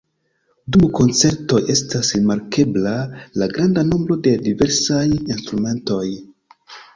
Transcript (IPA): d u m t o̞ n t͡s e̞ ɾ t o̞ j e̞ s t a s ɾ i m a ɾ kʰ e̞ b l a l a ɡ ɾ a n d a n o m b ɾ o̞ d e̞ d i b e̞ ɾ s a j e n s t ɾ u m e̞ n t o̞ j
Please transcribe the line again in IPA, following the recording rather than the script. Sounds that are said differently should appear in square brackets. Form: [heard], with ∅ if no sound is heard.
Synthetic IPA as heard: d u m [k] o̞ n t͡s e̞ ɾ t o̞ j e̞ s t a s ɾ i m a ɾ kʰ e̞ b l a l a ɡ ɾ a n d a n o m b ɾ o̞ d e̞ d i [v] e̞ ɾ s a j [i] n s t ɾ u m e̞ n t o̞ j